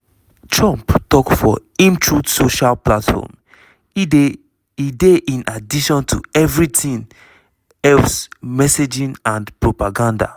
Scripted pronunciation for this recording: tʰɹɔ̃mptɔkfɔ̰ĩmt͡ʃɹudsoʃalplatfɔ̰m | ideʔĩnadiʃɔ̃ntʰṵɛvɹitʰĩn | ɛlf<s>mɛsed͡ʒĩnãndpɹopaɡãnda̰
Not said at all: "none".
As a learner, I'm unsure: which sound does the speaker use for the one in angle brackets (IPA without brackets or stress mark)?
s